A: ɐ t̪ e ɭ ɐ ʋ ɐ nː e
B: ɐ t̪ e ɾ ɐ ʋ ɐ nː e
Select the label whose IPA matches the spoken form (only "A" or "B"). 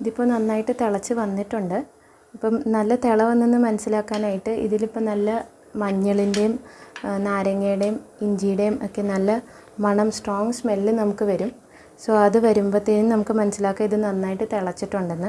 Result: A